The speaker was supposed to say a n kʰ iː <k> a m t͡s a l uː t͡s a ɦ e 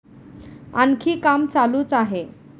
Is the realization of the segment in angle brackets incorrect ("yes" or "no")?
no